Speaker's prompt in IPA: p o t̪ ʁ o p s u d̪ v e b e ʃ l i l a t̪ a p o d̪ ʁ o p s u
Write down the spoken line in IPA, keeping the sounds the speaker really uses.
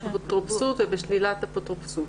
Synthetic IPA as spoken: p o t̪ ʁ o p s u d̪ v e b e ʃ l i l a t̪ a p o t̪ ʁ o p s u